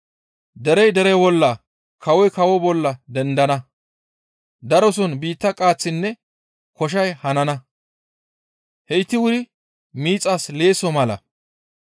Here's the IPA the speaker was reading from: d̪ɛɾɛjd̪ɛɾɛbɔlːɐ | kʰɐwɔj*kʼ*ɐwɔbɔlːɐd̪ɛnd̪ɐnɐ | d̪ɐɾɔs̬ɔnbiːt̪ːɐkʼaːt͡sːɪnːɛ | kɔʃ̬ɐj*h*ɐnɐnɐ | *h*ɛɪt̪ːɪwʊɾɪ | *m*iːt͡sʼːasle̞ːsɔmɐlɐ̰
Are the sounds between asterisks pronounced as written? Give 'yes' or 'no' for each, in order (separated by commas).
no, yes, yes, yes